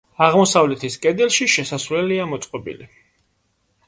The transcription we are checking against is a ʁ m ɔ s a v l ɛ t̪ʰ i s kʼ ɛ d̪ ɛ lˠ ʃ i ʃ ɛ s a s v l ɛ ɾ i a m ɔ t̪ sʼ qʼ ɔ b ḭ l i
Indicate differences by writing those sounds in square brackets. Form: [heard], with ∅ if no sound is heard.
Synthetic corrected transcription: a ʁ m ɔ s a v l ɛ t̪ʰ i s kʼ ɛ d̪ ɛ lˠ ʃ i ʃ ɛ s a s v l ɛ [l] i a m ɔ t̪ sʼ qʼ ɔ b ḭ l i